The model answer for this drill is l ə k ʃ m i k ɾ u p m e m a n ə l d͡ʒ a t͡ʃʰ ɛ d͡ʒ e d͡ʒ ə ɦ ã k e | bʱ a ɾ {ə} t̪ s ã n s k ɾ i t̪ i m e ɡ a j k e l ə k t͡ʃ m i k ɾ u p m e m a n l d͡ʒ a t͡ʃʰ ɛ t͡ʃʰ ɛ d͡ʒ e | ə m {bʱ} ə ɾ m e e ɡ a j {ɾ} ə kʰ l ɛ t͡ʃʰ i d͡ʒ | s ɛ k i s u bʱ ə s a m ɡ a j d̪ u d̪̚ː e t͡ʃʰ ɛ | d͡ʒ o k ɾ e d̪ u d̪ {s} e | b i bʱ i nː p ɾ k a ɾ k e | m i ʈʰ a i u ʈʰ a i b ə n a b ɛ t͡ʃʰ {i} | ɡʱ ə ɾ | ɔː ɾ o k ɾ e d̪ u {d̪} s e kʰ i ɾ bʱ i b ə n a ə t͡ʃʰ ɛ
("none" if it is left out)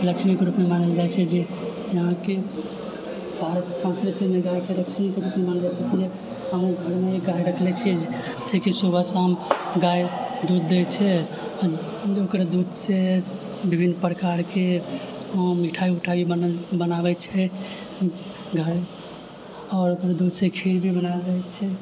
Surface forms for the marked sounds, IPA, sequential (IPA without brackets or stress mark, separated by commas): ə, ɡʱ, ɾ, s, ɛ, d̪